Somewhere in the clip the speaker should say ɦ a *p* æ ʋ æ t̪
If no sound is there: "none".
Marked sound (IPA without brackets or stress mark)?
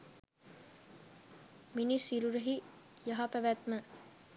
p